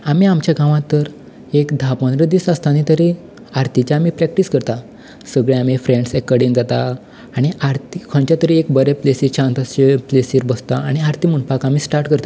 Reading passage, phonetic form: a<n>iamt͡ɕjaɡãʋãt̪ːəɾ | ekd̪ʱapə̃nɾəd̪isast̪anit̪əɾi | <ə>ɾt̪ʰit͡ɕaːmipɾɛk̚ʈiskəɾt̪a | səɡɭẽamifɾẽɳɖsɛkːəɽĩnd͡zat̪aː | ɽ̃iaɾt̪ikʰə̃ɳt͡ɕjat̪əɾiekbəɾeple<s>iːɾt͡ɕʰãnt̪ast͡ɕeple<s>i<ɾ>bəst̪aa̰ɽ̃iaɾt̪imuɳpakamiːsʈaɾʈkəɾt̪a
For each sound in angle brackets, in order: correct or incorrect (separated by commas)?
incorrect, incorrect, correct, correct, correct